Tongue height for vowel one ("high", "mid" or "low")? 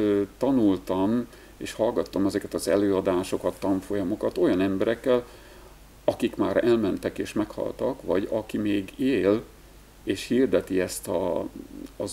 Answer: low